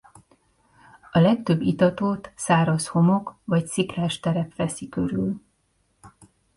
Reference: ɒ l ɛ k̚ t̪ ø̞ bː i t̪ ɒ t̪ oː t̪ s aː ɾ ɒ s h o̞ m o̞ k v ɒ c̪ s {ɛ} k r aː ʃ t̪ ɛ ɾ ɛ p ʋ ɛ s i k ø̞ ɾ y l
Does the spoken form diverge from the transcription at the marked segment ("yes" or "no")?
yes